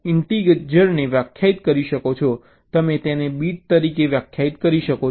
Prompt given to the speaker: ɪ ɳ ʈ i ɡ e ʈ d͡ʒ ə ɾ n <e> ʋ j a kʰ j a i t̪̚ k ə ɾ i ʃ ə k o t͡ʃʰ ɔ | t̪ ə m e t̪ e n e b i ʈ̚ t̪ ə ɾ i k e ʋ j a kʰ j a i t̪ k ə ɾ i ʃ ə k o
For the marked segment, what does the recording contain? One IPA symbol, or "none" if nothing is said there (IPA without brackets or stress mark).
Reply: e